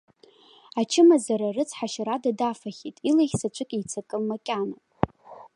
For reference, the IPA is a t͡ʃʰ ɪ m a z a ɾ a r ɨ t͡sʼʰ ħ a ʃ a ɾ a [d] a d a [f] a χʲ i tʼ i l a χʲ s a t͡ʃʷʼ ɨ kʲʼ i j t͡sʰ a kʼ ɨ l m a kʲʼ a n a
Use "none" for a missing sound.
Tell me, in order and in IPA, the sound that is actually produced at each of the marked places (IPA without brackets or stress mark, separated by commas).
d, f